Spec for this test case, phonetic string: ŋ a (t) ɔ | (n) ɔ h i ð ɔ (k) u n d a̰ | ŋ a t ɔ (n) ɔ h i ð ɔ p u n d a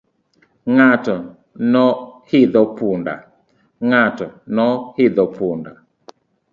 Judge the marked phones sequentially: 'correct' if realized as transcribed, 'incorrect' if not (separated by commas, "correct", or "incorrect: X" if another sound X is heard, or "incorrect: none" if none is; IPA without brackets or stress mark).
correct, correct, incorrect: p, correct